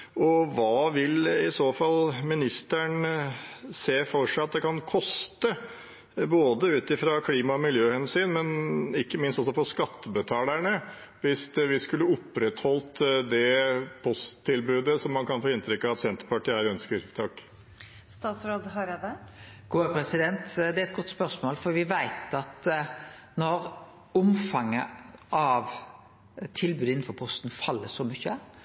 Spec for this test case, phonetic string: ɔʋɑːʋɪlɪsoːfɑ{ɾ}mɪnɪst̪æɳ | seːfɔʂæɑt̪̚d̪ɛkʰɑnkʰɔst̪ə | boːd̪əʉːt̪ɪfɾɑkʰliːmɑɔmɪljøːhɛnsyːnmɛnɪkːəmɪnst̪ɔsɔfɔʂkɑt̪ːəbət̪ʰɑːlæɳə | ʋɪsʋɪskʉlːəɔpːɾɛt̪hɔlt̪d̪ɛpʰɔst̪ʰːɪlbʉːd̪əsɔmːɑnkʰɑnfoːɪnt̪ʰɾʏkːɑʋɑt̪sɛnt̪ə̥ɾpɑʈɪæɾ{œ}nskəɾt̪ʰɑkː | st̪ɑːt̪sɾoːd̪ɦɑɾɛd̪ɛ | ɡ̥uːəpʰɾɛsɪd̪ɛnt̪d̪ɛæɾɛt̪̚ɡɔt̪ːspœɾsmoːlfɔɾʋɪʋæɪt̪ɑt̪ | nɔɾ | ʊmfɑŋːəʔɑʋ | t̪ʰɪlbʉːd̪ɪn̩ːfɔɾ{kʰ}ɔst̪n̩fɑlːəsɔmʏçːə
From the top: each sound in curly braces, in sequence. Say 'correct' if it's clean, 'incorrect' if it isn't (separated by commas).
incorrect, correct, incorrect